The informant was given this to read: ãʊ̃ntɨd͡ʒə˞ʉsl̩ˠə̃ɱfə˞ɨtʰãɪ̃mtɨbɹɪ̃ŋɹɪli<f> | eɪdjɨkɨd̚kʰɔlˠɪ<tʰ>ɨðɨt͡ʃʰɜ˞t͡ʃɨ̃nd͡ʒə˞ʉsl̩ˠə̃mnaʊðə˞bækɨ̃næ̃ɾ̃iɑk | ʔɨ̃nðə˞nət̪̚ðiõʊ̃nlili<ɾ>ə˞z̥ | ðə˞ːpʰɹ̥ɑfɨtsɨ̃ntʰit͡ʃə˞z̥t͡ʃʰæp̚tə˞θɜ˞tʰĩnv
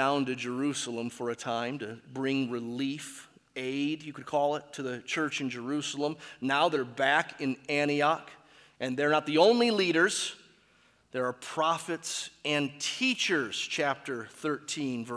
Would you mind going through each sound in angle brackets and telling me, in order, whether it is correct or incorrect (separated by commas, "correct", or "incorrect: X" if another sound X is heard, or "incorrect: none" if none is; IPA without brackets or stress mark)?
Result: correct, correct, correct